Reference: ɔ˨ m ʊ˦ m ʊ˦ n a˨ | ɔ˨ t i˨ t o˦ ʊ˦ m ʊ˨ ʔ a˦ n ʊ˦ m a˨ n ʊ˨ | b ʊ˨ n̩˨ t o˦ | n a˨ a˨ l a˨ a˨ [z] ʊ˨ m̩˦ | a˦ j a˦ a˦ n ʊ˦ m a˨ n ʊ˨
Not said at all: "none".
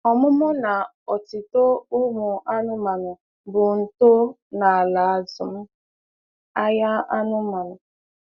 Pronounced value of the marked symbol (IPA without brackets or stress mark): z